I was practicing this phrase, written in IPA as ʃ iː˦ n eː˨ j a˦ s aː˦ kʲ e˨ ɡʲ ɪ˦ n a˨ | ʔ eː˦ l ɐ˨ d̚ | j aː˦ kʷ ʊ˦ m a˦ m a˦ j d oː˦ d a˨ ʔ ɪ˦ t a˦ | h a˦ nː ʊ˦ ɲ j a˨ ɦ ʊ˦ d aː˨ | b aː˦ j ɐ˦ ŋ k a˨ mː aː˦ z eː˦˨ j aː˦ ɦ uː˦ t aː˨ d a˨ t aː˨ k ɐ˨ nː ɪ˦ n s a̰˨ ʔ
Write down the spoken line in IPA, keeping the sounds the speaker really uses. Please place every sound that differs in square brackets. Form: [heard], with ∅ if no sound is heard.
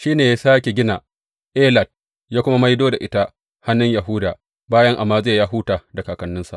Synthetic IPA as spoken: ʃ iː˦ n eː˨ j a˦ s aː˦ kʲ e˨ ɡʲ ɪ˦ n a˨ | ʔ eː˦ l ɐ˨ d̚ | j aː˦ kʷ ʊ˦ m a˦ m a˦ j d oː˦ d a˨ ʔ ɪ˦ t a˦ | h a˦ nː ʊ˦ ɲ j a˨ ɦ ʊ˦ d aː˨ | b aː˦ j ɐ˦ ŋ [ʔ] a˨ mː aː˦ z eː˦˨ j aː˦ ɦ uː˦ t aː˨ d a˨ [k] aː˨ k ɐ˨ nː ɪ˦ n s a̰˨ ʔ